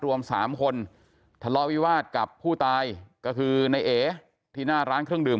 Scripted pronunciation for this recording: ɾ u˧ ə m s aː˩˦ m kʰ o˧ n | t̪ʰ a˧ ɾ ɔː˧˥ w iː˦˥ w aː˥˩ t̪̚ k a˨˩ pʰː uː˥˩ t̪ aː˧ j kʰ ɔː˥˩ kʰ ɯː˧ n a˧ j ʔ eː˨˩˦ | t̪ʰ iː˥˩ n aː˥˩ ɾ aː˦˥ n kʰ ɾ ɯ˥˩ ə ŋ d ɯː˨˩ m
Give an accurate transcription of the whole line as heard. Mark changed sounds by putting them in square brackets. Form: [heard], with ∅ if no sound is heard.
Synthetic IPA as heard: ɾ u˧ ə m s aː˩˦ m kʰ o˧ n | t̪ʰ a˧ [l] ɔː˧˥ w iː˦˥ w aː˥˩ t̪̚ k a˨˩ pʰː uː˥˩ t̪ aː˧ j [k] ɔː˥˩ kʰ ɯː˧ n a˧ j ʔ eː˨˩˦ | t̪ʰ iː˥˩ n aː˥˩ ɾ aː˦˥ n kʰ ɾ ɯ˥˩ ə ŋ d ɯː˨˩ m